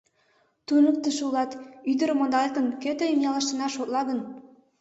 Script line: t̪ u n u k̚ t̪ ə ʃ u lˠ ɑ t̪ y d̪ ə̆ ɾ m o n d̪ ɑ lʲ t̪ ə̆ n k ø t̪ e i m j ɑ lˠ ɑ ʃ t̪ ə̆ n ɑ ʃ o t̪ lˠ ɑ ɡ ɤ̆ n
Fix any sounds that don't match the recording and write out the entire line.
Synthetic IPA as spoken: t̪ u n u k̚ t̪ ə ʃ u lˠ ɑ t̪ y d̪ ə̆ ɾ m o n d̪ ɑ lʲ t̪ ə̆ n k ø t̪ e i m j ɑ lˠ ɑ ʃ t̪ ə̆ n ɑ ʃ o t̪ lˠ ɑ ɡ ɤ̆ n

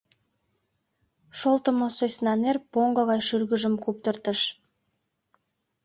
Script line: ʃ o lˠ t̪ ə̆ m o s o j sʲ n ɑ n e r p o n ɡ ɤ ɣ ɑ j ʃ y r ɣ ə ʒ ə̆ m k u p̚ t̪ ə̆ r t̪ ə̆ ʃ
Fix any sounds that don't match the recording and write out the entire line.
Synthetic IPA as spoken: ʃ o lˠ t̪ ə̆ m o s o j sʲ n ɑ n e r p o ŋ ɡ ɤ ɣ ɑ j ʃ y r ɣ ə ʒ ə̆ m k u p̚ t̪ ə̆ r t̪ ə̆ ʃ

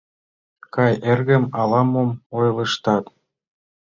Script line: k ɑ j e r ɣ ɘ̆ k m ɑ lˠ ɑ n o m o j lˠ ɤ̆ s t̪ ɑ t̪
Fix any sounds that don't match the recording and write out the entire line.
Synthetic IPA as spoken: k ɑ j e r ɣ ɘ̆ m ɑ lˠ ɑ m o m o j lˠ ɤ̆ ʃ t̪ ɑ t̪

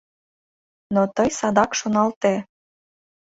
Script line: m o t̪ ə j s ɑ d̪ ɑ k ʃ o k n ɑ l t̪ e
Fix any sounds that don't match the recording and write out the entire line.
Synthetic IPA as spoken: n o t̪ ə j s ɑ d̪ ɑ k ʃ o n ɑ l t̪ e

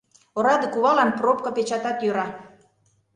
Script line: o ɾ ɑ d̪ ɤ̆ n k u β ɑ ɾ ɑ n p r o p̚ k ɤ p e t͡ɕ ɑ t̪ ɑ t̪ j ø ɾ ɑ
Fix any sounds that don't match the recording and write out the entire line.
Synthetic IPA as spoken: o ɾ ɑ d̪ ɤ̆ k u β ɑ l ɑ n p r o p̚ k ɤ p e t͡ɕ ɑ t̪ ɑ t̪ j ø ɾ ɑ

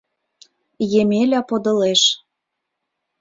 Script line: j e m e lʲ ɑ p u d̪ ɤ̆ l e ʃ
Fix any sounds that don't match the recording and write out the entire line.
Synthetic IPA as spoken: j e m e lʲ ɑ p o d̪ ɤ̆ l e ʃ

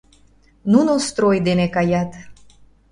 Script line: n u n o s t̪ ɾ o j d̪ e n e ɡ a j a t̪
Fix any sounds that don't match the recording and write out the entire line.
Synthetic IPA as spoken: n u n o s t̪ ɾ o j d̪ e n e k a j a t̪

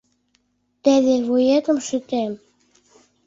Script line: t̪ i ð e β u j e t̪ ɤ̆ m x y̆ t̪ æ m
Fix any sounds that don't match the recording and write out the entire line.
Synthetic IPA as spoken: t̪ æ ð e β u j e t̪ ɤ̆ m ʃ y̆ t̪ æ m

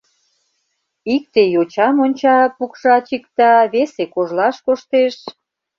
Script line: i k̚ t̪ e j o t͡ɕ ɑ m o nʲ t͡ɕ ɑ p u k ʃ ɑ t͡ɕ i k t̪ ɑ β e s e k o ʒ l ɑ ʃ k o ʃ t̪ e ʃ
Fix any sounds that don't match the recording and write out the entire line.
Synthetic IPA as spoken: i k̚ t̪ e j o t͡ɕ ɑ m o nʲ t͡ɕ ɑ p u k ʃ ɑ t͡ɕ i k t̪ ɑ β e s e k o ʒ l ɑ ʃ k o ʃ t̪ e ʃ

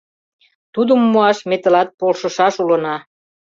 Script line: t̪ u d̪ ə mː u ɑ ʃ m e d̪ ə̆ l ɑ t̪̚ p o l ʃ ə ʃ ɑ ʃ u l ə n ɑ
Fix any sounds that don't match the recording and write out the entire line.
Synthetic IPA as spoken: t̪ u d̪ ə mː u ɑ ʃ m e t̪ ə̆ l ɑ t̪̚ p o l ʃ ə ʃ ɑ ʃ u l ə n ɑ

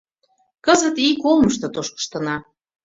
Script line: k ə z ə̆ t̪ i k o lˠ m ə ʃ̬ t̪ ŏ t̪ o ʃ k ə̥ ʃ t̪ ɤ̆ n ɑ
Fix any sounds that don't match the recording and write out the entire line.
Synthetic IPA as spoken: k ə z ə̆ t̪ i k o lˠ m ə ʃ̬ t̪ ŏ t̪ o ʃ k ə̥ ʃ t̪ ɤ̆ n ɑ

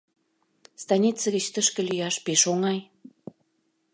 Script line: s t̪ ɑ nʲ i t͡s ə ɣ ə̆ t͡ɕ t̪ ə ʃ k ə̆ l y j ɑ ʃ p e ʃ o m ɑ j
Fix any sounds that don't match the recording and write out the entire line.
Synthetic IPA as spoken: s t̪ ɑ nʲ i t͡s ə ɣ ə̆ t͡ɕ t̪ ə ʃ k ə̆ l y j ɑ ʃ p e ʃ o ŋ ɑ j

